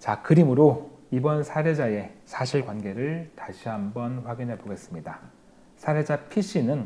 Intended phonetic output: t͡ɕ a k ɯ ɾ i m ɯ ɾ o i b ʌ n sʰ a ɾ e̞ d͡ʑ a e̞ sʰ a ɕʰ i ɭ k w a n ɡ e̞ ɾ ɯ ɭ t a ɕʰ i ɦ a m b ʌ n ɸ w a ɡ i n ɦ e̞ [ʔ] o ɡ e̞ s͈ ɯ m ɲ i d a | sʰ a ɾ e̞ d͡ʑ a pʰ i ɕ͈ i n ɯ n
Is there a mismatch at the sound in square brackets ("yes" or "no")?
yes